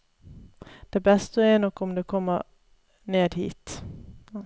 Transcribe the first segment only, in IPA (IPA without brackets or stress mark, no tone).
d̪̥